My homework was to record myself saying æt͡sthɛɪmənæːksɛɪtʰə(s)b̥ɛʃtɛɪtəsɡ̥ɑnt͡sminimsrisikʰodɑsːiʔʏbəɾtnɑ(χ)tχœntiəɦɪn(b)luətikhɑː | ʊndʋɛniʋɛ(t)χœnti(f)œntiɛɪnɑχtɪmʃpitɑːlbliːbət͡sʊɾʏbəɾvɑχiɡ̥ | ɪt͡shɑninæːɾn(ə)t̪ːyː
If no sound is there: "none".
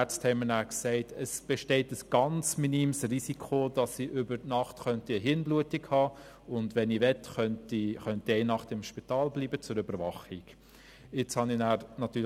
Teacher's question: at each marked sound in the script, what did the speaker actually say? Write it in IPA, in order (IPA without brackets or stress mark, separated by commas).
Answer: s, χ, b, t, χ, ɑ